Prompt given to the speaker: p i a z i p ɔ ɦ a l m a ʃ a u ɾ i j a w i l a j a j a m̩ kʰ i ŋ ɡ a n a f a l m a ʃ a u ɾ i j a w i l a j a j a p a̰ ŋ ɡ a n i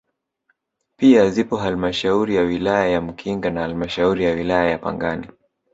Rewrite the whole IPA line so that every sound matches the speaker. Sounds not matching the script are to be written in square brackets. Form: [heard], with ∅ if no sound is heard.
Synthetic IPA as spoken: p i a z i p ɔ ɦ a l m a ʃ a u ɾ i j a w i l a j a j a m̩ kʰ i ŋ ɡ a n a [h] a l m a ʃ a u ɾ i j a w i l a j a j a p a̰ ŋ ɡ a n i